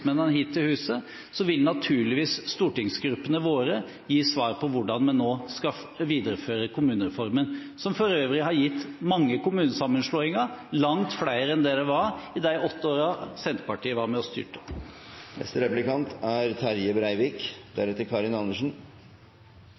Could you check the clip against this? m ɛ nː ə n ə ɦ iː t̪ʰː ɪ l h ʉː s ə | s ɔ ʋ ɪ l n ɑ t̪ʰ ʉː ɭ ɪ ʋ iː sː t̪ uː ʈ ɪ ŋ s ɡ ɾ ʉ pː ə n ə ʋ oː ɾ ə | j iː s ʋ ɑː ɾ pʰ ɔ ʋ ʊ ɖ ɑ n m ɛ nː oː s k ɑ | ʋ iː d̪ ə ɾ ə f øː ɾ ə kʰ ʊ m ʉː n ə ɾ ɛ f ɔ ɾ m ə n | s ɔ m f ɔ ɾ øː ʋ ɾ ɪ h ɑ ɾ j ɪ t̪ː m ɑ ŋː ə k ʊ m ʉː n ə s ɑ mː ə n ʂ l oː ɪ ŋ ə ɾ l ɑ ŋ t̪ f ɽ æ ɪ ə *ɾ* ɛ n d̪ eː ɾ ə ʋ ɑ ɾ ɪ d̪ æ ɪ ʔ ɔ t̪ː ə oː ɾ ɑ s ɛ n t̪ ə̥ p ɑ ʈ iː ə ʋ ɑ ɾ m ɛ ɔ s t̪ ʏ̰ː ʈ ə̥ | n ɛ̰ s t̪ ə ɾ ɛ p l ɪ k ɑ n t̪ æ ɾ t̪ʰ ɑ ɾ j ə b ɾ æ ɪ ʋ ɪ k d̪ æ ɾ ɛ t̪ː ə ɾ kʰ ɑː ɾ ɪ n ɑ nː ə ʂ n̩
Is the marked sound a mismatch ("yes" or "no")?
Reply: no